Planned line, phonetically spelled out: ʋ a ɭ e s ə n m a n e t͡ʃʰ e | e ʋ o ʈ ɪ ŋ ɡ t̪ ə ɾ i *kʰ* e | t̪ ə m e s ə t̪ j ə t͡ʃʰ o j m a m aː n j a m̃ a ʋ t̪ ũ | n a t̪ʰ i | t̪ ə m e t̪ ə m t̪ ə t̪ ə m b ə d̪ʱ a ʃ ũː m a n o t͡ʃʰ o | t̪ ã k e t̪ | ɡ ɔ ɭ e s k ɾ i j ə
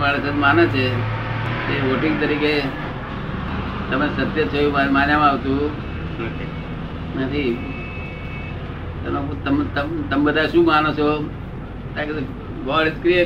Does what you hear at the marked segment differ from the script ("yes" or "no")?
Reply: yes